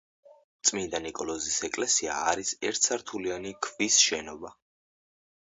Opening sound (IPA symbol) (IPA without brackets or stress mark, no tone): t̪